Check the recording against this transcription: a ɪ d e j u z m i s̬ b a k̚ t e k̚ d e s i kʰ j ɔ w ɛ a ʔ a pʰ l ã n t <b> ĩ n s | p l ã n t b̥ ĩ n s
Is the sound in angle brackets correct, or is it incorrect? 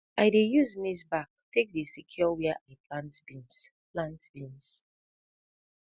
correct